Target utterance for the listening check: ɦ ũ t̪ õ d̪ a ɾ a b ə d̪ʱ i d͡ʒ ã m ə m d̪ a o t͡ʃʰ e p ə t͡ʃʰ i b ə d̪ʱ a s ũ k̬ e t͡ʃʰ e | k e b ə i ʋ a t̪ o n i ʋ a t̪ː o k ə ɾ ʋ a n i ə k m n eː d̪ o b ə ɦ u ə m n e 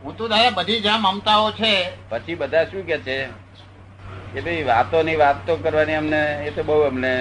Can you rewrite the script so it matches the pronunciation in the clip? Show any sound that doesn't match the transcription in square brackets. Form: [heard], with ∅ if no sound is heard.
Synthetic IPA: ɦ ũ t̪ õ d̪ a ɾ a b ə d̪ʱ i d͡ʒ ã m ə m [t̪] a o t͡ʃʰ e p ə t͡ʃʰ i b ə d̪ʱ a [ʃ] ũ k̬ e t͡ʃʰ e | k e b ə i ʋ a t̪ o n i ʋ a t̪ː o k ə ɾ ʋ a n i ə [∅] m n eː [t̪] o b ə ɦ u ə m n e